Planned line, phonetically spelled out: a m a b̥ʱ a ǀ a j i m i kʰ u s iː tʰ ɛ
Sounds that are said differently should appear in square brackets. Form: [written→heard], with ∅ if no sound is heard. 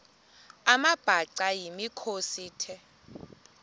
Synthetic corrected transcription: a m a b̥ʱ a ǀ a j i m i kʰ [u→o] s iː tʰ ɛ